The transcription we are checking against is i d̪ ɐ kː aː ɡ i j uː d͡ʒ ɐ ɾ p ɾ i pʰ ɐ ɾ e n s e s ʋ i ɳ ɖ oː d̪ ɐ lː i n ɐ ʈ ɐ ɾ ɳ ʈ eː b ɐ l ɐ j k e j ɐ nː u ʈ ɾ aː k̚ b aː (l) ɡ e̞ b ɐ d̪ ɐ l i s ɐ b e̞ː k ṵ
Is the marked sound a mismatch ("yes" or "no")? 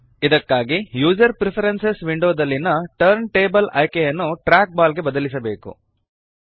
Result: no